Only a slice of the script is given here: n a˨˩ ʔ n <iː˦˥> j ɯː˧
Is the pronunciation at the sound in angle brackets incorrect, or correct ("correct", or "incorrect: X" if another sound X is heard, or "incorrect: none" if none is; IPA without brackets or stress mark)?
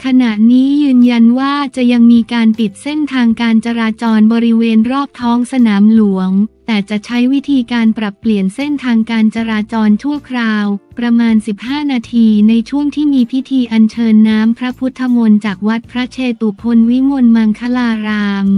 correct